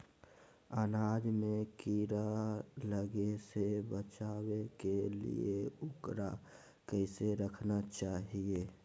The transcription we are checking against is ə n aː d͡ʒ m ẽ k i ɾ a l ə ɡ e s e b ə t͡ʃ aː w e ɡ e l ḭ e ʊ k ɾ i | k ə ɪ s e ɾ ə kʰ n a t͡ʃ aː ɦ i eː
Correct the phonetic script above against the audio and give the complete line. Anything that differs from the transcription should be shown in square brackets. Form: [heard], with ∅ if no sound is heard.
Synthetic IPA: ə n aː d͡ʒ m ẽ k i ɾ a l ə ɡ e s e b ə t͡ʃ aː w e [k] e l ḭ e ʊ k ɾ [a] | k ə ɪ s e ɾ ə kʰ n a t͡ʃ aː ɦ i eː